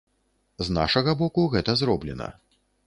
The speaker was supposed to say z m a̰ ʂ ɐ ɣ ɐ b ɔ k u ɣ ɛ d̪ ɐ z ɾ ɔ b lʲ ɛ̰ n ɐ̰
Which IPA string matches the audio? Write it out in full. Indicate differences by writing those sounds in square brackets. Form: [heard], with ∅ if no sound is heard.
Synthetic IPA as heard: z [n] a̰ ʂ ɐ ɣ ɐ b ɔ k u ɣ ɛ [t̪] ɐ z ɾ ɔ b lʲ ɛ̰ n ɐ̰

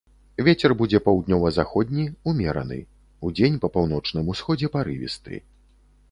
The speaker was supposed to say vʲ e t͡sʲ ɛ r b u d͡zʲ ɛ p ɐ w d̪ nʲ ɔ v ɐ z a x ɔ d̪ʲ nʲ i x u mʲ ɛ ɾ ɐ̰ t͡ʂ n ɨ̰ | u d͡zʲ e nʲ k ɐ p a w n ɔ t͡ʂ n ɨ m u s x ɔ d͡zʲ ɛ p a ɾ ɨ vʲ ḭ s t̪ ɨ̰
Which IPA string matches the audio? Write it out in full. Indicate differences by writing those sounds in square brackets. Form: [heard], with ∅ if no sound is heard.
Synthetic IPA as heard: vʲ e t͡sʲ ɛ r b u d͡zʲ ɛ p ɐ w d̪ nʲ ɔ v ɐ z a x ɔ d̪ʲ nʲ i [∅] u mʲ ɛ ɾ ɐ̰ [∅] n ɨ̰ | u d͡zʲ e nʲ [p] ɐ p a w n ɔ t͡ʂ n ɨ m u s x ɔ d͡zʲ ɛ p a ɾ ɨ vʲ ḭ s t̪ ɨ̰

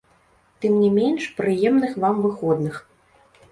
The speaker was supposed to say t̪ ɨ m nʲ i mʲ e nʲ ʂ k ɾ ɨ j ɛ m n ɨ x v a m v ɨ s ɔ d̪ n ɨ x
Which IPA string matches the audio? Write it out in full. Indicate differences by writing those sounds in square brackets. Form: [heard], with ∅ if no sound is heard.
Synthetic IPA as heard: t̪ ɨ m nʲ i mʲ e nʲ ʂ [p] ɾ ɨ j ɛ m n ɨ x v a m v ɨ [x] ɔ d̪ n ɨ x

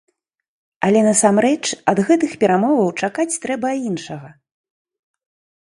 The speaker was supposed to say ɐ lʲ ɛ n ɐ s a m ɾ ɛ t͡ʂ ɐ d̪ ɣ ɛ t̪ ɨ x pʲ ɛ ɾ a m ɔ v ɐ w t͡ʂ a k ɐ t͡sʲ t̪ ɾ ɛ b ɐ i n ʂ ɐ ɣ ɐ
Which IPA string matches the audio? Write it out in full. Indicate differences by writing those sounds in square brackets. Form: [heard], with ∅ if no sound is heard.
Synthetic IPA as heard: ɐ lʲ ɛ n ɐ s a m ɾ ɛ t͡ʂ ɐ d̪ ɣ ɛ t̪ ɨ x pʲ ɛ ɾ a m ɔ v ɐ w t͡ʂ a k [a] t͡sʲ t̪ ɾ ɛ b ɐ i n ʂ ɐ ɣ ɐ

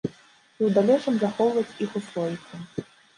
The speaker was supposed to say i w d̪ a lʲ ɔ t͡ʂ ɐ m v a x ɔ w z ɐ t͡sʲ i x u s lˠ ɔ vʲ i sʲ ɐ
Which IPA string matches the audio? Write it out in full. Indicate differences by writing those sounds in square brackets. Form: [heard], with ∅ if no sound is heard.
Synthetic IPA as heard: i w d̪ a lʲ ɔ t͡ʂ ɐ m [z] a x ɔ w [v] ɐ t͡sʲ i x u s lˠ ɔ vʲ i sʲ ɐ

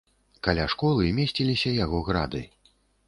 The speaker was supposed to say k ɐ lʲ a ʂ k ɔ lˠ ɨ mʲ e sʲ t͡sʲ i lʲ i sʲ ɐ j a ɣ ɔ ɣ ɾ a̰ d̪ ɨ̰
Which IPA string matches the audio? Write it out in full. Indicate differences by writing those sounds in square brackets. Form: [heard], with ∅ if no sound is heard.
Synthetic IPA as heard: k [a] lʲ a ʂ k ɔ lˠ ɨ mʲ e sʲ t͡sʲ i lʲ i sʲ ɐ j a ɣ ɔ ɣ ɾ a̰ d̪ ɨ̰

